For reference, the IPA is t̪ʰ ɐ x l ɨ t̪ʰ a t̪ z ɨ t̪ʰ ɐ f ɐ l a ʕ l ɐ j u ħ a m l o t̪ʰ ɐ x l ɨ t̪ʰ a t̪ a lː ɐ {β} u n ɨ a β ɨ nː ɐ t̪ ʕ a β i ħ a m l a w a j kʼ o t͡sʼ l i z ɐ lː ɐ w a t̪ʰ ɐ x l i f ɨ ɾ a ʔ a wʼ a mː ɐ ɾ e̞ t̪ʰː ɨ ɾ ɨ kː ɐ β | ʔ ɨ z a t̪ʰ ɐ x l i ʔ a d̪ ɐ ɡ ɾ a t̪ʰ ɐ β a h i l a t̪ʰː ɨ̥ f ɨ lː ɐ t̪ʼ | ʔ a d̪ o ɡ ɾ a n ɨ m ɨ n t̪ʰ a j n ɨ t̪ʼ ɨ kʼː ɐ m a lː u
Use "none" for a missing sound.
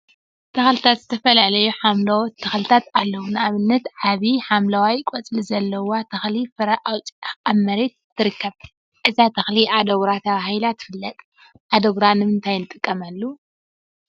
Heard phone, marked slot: w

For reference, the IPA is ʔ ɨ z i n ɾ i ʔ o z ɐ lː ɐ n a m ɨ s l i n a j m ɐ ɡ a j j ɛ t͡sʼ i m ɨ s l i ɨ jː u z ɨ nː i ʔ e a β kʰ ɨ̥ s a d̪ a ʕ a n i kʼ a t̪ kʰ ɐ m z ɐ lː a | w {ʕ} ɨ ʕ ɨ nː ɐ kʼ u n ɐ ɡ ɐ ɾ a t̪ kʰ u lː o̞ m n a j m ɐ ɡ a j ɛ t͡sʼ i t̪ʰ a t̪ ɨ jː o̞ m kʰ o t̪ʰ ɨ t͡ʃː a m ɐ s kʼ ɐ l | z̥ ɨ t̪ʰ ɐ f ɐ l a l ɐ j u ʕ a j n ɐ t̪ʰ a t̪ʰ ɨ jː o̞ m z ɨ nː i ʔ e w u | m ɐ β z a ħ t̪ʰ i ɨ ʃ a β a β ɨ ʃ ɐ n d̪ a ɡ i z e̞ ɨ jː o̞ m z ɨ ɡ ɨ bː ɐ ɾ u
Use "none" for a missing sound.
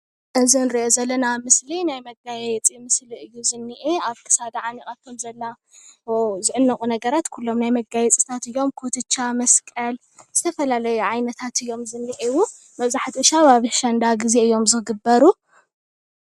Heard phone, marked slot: z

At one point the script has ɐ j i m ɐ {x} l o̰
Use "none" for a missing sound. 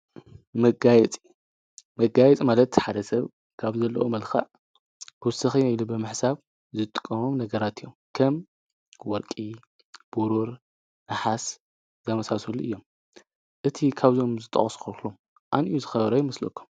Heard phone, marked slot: s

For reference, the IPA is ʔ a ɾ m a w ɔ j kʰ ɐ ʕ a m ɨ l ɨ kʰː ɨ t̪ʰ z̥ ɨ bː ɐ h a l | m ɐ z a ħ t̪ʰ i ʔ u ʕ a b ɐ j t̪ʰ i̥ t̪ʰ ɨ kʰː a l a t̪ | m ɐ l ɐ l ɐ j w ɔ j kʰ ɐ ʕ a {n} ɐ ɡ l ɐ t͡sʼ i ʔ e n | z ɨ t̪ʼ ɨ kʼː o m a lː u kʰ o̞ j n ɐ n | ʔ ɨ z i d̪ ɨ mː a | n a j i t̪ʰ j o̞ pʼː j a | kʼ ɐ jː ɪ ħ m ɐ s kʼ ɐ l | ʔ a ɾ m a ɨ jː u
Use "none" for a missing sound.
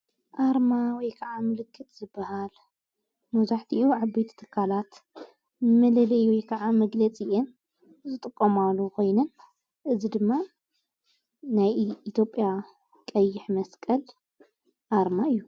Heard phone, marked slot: m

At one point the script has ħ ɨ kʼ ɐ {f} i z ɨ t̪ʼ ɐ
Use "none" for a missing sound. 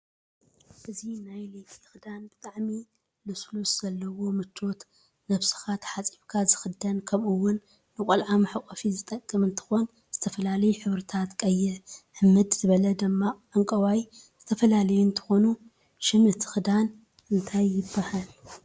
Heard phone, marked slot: f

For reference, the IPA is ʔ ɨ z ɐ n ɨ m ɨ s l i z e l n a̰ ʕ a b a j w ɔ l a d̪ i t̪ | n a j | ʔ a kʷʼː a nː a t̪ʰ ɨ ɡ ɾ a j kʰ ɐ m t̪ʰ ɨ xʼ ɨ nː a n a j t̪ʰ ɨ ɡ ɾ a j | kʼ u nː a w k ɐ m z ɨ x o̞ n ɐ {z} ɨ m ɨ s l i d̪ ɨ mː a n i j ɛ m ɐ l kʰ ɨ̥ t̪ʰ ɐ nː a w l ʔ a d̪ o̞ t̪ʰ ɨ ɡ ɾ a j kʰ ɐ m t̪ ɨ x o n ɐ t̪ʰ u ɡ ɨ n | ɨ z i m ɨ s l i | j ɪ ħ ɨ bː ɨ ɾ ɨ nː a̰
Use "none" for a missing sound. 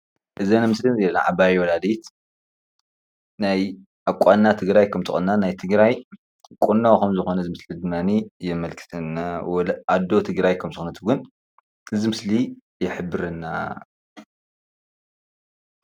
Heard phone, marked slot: z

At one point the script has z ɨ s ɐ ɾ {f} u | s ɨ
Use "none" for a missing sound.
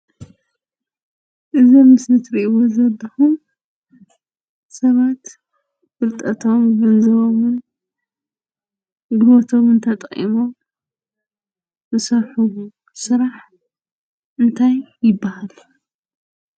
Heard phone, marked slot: ħ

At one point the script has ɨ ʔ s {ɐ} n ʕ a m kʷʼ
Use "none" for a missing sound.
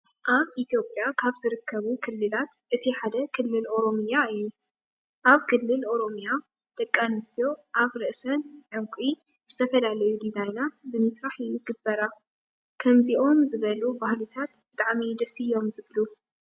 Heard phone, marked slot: ɐ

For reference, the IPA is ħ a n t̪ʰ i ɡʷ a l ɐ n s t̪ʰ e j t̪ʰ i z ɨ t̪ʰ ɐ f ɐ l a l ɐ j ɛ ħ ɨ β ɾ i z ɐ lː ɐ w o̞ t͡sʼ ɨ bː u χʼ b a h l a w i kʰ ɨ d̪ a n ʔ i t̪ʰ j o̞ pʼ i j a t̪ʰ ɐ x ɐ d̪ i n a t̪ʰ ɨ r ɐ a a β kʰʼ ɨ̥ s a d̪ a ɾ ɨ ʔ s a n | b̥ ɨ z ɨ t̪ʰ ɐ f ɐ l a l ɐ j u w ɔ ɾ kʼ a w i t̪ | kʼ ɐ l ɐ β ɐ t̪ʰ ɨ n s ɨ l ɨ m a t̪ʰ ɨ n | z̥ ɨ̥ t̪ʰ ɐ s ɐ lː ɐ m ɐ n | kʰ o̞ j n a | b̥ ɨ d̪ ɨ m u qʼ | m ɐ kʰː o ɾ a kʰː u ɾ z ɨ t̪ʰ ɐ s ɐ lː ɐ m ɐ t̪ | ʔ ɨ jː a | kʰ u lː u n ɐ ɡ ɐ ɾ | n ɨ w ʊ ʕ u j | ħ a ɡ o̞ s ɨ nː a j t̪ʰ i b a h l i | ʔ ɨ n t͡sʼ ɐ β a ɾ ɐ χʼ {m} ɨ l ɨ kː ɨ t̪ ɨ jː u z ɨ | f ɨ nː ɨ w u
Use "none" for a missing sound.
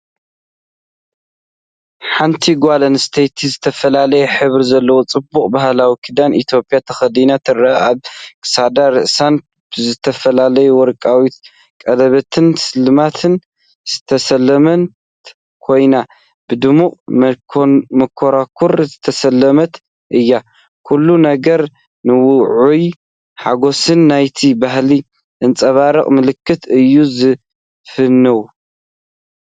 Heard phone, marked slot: m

